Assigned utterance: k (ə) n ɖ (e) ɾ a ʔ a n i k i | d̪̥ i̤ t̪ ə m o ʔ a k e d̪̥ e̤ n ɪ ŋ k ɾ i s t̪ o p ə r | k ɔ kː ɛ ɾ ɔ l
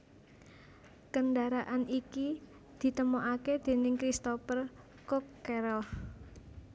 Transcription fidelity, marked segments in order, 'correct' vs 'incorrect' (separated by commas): correct, incorrect